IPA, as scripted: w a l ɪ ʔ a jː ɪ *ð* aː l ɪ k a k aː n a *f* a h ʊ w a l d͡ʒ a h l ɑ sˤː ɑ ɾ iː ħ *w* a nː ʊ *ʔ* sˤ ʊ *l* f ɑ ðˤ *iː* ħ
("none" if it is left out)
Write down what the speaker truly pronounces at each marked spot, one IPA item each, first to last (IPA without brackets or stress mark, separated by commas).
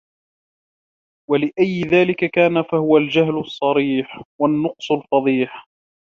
ð, f, w, q, l, iː